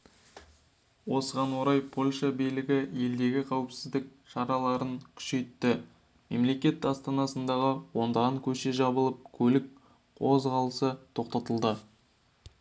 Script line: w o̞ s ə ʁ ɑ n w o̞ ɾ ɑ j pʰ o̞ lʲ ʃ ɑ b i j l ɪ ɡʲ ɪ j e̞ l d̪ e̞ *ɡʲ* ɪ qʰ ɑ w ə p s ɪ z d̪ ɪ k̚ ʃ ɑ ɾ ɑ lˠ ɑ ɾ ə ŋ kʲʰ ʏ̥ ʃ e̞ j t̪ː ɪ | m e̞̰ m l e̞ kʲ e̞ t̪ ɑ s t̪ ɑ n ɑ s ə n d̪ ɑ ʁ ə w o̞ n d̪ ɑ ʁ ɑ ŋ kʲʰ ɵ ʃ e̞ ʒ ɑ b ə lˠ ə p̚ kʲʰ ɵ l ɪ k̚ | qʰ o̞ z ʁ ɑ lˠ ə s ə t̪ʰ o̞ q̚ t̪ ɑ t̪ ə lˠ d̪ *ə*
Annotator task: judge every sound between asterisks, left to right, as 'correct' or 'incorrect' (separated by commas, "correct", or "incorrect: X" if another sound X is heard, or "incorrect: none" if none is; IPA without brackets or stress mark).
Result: correct, correct